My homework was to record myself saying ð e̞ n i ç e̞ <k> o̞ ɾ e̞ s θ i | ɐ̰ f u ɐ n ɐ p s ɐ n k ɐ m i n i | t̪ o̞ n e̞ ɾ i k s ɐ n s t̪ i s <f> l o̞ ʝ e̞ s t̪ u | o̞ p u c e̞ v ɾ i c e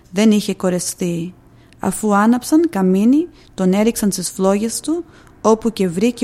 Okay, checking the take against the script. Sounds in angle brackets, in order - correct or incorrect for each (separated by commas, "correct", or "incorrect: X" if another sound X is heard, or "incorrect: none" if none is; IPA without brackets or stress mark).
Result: correct, correct